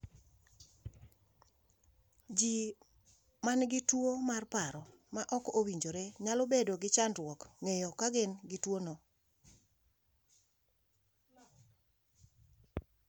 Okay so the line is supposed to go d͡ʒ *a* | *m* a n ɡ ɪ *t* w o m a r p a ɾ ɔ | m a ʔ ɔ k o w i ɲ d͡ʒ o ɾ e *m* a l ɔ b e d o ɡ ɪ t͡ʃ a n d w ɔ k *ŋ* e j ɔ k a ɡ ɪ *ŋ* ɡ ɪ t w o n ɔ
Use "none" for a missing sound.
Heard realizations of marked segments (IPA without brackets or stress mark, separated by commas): i, m, t, ɲ, ŋ, n